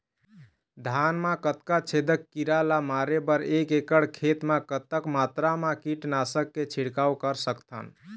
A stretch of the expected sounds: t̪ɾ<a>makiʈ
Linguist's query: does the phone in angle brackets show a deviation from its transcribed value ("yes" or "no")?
no